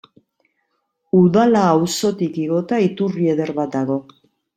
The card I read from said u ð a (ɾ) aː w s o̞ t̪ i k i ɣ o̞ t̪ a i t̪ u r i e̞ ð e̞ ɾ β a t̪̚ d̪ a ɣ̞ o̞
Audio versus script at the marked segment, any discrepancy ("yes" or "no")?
yes